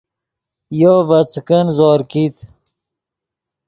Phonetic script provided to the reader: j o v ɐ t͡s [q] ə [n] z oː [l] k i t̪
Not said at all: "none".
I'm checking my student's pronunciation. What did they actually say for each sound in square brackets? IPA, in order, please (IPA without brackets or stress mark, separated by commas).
k, n, ɾ